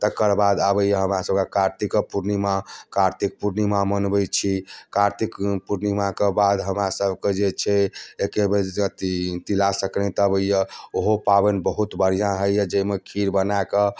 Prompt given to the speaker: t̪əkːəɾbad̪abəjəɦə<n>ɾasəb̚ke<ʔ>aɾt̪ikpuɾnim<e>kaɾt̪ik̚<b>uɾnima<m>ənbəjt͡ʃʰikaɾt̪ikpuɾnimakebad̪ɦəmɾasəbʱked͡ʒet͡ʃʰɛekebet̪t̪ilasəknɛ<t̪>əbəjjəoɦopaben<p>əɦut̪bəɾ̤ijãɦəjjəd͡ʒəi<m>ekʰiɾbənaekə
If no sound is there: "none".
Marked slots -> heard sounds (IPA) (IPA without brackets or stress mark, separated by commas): m, k, a, p, m, t̪, b, m